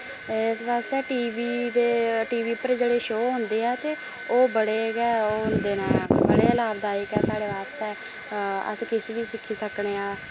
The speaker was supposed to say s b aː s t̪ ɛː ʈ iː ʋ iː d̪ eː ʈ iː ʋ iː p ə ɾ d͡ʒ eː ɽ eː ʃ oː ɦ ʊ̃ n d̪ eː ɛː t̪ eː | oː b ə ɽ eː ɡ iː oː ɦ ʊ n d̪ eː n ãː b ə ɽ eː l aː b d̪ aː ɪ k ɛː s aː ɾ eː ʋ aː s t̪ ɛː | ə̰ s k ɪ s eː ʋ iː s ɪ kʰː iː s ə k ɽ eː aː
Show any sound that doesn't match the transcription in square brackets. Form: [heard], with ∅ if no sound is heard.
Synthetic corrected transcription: s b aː s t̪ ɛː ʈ iː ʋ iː d̪ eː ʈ iː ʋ iː p ə ɾ d͡ʒ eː ɽ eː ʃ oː ɦ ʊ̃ n d̪ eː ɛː t̪ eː | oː b ə ɽ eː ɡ [ɛː] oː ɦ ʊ n d̪ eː n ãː b ə ɽ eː l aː b d̪ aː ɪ k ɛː s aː [ɽ] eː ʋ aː s t̪ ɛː | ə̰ s k ɪ s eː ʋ iː s ɪ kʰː iː s ə k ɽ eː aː